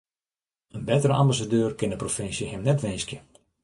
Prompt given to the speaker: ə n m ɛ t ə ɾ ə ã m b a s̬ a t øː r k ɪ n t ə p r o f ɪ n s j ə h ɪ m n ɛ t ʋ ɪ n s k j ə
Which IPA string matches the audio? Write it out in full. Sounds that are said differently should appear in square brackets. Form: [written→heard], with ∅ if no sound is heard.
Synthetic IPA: ə n [m→b] ɛ t ə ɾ ə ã m b a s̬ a [t→d] øː r k ɪ n [t→d] ə p r o f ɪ n s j ə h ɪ m n ɛ t ʋ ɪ n s k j ə

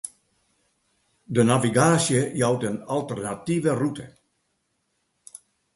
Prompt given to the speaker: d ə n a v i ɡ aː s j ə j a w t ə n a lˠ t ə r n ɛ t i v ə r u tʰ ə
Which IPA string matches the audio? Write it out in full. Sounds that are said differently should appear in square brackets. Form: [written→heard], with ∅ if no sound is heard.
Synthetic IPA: d ə n a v i ɡ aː s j ə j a w t ə n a lˠ t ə r n [ɛ→a] t i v ə r u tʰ ə

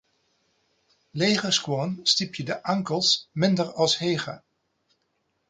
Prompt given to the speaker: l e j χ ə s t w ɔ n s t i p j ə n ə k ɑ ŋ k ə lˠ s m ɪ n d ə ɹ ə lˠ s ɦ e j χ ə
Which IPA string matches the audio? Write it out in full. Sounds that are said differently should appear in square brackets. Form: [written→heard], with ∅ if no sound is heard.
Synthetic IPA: l e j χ ə s [t→k] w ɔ n s t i p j ə [n→d] ə [k→ʔ] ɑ ŋ k ə lˠ s m ɪ n d ə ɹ [ə→ɑ] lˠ s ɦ e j χ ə

